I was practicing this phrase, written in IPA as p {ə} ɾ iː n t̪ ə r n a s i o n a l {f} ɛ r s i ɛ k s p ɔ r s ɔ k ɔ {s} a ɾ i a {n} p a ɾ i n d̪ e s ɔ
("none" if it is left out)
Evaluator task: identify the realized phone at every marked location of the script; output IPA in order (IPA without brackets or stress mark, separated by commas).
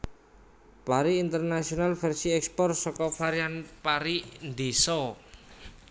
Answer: a, f, f, n